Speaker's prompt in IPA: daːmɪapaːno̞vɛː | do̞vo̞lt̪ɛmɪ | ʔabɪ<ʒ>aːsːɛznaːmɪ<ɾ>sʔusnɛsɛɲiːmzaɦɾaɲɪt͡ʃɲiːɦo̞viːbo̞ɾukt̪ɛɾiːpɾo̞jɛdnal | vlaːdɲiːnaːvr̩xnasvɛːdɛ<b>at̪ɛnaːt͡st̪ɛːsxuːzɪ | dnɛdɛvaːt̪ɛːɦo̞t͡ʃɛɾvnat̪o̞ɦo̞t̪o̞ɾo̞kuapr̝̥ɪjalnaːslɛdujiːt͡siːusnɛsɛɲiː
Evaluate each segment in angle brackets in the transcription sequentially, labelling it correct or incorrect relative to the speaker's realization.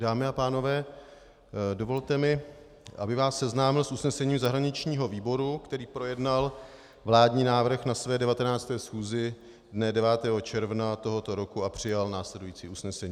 incorrect: v, incorrect: l, incorrect: v

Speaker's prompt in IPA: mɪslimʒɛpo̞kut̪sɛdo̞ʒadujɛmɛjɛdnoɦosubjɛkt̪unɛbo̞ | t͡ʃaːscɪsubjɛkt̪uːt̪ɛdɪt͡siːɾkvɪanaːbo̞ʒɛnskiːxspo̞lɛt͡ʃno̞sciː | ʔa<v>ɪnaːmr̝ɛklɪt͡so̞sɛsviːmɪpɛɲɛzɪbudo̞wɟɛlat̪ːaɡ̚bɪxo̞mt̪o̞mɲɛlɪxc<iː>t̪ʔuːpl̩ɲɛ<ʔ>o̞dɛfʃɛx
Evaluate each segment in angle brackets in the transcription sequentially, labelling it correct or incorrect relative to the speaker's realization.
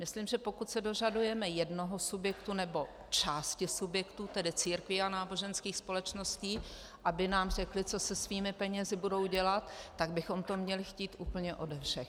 incorrect: b, correct, correct

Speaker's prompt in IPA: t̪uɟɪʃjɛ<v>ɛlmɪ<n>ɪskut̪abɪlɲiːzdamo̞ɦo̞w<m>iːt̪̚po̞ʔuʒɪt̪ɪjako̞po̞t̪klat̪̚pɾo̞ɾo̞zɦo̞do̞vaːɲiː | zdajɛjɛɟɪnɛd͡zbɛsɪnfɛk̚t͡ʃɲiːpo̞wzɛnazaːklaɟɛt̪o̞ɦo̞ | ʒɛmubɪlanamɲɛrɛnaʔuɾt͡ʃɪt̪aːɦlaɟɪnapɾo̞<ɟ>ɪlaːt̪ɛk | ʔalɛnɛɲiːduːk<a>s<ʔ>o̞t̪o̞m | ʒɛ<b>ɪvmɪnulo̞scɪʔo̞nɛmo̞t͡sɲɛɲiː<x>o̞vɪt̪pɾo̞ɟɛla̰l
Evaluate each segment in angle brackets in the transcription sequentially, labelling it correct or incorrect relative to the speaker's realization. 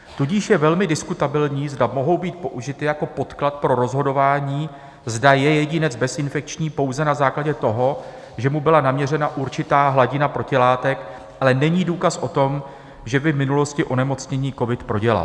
correct, incorrect: d, incorrect: b, incorrect: c, correct, correct, correct, incorrect: k

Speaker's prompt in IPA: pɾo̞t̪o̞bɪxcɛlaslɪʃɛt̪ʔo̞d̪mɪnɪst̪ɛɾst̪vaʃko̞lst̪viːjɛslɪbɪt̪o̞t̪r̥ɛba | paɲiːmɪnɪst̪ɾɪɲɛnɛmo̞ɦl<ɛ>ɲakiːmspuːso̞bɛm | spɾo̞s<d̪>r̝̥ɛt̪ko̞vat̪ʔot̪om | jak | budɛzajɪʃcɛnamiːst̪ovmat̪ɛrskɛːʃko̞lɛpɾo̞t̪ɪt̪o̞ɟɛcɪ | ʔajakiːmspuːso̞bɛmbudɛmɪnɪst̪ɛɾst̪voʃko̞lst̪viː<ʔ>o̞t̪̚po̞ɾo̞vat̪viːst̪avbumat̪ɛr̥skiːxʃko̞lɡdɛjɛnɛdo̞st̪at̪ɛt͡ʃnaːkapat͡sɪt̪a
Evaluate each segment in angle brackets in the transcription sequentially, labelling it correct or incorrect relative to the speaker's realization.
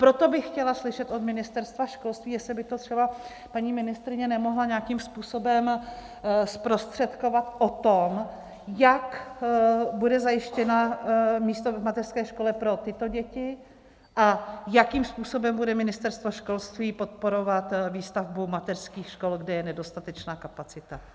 incorrect: a, incorrect: t̪, incorrect: p

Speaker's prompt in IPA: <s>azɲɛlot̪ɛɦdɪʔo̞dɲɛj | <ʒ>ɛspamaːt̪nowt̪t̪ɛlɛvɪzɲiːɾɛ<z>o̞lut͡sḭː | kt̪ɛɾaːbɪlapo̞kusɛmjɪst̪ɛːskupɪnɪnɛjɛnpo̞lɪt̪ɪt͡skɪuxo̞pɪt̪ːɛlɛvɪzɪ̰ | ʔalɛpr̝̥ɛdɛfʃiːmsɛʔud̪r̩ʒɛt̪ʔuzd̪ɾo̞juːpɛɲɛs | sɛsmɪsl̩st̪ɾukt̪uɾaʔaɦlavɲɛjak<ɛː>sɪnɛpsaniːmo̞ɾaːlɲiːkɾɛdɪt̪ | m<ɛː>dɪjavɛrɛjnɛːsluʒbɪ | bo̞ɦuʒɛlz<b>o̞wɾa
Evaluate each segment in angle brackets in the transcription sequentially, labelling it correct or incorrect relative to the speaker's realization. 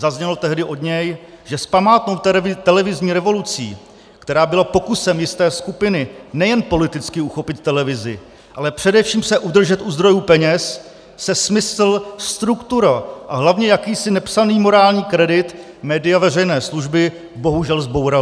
incorrect: z, correct, incorrect: v, incorrect: iː, correct, correct

